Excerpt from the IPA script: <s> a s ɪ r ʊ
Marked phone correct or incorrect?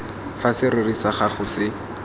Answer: incorrect